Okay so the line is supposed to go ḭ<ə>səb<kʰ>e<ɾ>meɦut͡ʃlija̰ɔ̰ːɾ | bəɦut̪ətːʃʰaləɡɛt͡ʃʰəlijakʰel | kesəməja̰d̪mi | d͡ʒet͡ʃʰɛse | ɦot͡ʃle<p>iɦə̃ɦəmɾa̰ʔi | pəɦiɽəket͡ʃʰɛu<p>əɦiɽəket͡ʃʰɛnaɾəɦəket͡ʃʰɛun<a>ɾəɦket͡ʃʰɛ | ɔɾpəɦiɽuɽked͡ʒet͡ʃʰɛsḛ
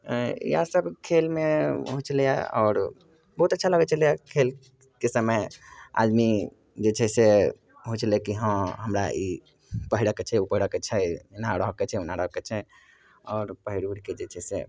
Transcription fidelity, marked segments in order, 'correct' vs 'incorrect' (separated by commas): incorrect, correct, incorrect, incorrect, correct, correct